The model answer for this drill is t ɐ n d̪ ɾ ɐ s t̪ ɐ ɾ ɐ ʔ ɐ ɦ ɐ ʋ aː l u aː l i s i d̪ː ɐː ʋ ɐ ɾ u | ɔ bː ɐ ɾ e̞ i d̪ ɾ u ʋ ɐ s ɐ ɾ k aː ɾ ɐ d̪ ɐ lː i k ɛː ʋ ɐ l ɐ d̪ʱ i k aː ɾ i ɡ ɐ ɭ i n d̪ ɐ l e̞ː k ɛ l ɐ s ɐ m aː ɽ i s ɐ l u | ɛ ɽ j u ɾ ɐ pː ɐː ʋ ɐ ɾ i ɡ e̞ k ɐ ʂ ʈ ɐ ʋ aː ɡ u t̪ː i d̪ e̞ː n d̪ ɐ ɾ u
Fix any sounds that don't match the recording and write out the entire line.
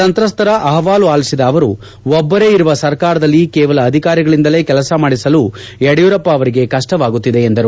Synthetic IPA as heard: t ɐ n t̪ ɾ ɐ s t̪ ɐ ɾ ɐ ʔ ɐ ɦ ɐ ʋ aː l u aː l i s i d̪ ɐː ʋ ɐ ɾ u | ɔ bː ɐ ɾ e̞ i ɾ u ʋ ɐ s ɐ ɾ k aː ɾ ɐ d̪ ɐ lː i k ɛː ʋ ɐ l ɐː d̪ʱ i k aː ɾ i ɡ ɐ ɭ i n d̪ ɐ l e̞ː k ɛ l ɐ s ɐ m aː ɽ i s ɐ l u | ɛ ɽ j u ɾ ɐ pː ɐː ʋ ɐ ɾ i ɡ e̞ k ɐ ʂ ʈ ɐ ʋ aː ɡ u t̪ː i d̪ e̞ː n d̪ ɐ ɾ u